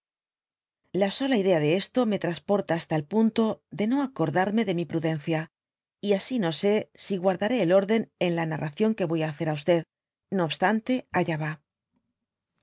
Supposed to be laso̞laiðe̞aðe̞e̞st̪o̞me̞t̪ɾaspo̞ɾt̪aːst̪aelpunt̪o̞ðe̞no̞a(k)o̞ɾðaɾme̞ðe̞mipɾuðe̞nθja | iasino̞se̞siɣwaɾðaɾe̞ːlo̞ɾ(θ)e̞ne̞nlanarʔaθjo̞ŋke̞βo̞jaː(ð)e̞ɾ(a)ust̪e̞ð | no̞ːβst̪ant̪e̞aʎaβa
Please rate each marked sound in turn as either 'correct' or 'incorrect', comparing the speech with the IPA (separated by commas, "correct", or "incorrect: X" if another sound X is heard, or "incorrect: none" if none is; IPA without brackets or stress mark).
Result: correct, incorrect: ð, incorrect: θ, correct